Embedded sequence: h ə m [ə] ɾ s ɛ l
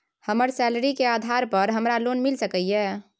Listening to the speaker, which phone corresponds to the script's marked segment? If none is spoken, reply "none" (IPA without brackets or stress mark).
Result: ə